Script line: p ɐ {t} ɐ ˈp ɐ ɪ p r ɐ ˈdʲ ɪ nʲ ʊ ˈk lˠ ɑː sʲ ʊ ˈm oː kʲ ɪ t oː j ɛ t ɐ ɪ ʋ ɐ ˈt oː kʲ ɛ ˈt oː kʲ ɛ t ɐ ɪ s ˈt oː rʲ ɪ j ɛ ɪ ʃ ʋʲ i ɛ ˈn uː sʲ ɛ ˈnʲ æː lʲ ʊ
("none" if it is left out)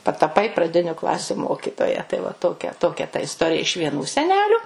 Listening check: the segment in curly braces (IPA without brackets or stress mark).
t